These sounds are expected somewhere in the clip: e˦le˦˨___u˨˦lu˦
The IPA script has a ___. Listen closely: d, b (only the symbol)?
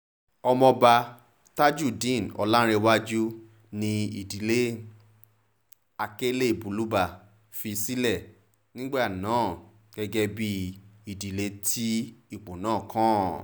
b